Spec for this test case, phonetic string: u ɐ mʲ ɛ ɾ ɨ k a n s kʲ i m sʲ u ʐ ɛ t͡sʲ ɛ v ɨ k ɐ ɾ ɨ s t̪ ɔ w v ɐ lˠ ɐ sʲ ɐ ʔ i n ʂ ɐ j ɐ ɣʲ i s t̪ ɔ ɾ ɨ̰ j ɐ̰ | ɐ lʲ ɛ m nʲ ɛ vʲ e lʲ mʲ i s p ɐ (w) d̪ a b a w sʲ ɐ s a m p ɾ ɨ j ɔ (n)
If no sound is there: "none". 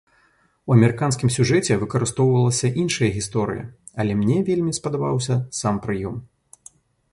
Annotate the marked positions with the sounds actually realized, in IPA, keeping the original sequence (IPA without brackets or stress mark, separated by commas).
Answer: none, m